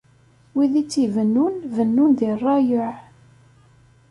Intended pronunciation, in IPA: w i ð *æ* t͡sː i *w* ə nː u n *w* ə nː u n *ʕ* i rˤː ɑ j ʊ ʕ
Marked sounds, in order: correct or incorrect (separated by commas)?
incorrect, incorrect, incorrect, incorrect